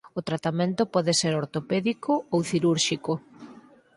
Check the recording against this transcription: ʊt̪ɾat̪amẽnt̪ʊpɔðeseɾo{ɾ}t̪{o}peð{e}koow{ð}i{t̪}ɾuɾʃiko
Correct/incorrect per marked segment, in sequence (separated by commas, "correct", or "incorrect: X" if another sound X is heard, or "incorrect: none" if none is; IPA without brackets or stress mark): correct, correct, incorrect: i, incorrect: θ, incorrect: none